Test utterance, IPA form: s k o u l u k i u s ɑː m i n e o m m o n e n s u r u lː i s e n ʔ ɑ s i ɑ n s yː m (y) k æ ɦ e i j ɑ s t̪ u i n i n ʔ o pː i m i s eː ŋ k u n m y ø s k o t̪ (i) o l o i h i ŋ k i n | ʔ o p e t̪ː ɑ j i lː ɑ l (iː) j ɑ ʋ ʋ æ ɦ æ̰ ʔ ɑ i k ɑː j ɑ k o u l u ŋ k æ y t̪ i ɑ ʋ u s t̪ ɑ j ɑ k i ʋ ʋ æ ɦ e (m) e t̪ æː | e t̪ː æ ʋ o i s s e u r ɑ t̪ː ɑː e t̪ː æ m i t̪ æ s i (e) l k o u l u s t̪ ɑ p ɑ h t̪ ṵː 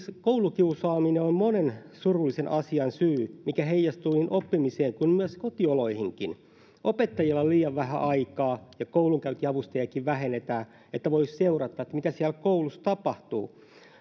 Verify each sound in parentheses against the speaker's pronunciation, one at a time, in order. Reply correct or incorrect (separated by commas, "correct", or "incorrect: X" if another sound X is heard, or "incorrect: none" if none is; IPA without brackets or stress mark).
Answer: incorrect: i, correct, correct, incorrect: n, incorrect: æ